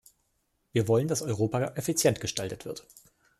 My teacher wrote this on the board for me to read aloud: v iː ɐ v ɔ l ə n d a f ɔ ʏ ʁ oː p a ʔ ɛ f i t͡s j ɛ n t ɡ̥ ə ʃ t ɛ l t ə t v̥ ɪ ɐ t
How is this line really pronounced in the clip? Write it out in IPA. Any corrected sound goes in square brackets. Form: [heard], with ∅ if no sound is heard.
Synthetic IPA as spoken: v iː ɐ v ɔ l ə n d a [s] ɔ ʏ ʁ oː p a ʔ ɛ f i t͡s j ɛ n t ɡ̥ ə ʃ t [a] l t ə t v̥ ɪ ɐ t